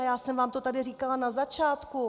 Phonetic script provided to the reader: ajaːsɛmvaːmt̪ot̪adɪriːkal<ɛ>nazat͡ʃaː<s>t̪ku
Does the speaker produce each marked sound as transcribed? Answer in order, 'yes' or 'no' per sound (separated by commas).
no, no